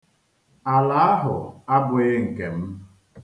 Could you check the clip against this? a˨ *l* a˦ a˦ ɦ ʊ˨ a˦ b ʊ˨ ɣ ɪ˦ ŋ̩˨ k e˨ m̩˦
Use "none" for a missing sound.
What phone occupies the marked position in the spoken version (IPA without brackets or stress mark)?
l